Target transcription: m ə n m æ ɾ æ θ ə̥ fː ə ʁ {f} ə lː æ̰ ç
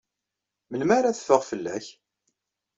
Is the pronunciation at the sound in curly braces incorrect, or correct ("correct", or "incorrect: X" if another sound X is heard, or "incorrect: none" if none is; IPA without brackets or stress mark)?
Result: correct